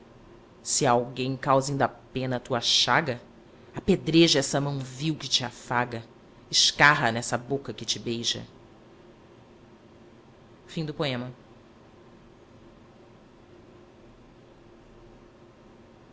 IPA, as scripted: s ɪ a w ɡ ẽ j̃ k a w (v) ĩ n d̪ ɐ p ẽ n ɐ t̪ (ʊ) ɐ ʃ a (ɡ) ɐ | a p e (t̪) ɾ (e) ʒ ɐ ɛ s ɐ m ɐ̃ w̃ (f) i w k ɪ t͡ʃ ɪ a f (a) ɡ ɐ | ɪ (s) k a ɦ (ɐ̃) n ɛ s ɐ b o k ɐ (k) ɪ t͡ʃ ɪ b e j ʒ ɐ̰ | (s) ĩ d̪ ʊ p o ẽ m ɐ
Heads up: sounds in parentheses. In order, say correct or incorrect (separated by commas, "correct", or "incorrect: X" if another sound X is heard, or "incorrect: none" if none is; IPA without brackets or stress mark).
incorrect: z, incorrect: u, correct, incorrect: d̪, correct, incorrect: v, correct, incorrect: ʃ, incorrect: ɐ, correct, incorrect: f